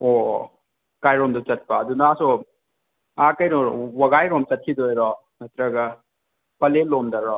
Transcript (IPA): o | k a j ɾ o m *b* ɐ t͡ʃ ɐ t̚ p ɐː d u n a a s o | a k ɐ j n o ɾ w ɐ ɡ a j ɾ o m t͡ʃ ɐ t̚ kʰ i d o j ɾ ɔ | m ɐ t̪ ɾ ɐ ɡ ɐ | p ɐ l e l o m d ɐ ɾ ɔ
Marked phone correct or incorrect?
incorrect: d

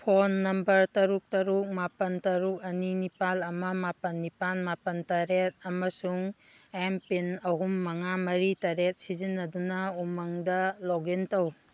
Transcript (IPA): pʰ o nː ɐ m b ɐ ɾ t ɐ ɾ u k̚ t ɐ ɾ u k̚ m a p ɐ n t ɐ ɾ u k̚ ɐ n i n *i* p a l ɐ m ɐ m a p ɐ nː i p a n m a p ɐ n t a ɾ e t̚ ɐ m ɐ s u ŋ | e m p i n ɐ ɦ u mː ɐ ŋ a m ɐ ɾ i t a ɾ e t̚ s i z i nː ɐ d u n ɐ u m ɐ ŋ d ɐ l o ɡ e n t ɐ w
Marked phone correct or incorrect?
correct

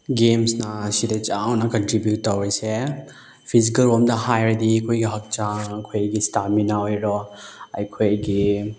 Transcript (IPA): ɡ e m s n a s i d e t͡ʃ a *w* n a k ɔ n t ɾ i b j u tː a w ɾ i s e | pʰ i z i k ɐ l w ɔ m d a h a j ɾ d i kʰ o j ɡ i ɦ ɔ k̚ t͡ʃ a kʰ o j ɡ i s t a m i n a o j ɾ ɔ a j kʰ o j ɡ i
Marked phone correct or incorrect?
correct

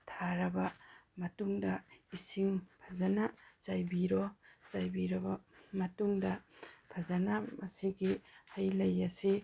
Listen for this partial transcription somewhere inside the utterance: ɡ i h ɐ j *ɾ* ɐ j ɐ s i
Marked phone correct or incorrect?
incorrect: l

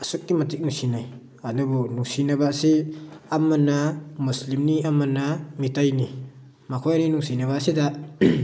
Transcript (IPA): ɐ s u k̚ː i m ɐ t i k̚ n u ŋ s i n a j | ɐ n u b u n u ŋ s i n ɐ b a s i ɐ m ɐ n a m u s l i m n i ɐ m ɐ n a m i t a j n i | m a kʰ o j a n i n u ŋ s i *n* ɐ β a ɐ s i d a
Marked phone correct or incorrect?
correct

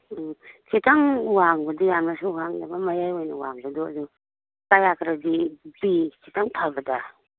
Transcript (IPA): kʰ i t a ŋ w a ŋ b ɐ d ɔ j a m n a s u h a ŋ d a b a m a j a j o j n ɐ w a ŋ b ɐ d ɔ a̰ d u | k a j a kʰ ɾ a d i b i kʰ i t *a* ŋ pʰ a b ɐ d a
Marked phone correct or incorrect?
correct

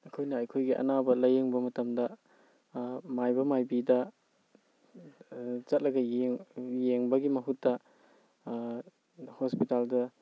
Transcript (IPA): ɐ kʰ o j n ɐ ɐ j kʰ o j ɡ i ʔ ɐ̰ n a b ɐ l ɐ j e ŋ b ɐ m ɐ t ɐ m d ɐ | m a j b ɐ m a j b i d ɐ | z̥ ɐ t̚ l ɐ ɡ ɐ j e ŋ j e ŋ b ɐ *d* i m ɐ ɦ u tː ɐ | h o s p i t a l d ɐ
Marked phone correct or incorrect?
incorrect: ɡ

